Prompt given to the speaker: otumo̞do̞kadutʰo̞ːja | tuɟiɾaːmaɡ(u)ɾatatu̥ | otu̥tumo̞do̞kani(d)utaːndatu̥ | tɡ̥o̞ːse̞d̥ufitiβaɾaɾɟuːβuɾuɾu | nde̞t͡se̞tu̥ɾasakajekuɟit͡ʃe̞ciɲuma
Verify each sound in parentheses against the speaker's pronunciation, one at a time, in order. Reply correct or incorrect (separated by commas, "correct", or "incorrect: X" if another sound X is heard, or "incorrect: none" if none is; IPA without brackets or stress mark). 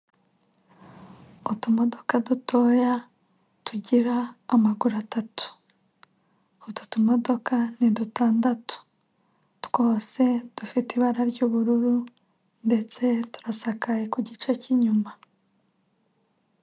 correct, correct